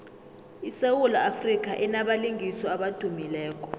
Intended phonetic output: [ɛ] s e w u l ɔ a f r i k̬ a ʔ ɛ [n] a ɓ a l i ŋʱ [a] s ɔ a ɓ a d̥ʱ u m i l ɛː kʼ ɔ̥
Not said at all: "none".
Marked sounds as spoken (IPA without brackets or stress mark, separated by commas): i, n, i